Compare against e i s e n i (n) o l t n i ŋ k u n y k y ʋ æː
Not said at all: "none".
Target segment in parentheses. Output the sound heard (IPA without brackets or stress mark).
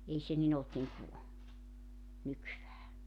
n